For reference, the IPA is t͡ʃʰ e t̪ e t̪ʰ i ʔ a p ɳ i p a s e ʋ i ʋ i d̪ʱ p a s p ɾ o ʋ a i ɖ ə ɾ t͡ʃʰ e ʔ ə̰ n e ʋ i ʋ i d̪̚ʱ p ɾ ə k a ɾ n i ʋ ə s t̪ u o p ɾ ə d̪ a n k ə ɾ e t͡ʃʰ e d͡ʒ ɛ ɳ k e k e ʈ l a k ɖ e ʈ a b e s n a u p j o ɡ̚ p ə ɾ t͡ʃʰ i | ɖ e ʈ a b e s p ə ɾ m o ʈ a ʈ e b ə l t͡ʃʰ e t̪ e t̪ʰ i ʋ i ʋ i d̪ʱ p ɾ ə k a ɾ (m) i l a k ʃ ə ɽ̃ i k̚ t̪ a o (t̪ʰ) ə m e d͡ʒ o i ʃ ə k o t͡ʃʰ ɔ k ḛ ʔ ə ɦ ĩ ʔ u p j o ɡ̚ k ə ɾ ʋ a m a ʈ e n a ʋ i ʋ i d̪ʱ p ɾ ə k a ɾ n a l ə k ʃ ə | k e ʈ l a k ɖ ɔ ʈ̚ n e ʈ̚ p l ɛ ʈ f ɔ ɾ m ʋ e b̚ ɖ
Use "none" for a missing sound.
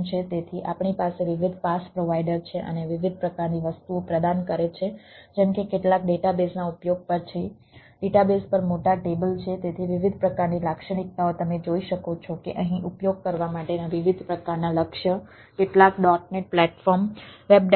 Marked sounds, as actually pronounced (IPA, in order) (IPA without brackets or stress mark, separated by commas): n, t̪